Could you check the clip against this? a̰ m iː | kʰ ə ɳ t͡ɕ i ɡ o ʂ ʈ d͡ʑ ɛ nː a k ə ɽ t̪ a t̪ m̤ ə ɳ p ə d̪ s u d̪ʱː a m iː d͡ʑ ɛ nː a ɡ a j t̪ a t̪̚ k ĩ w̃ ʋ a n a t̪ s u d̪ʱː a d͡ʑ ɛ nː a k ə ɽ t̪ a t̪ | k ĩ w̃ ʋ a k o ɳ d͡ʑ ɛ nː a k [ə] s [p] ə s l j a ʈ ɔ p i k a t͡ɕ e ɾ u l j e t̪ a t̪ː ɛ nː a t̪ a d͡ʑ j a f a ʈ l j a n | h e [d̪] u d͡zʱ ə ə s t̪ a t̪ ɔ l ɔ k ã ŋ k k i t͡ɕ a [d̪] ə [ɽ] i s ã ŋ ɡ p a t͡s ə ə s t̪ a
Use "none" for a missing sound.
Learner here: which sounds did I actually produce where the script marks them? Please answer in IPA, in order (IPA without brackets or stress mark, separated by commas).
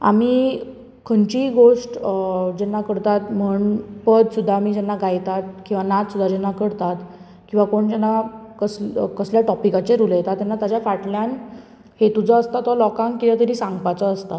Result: ə, k, t̪, t̪, ɾ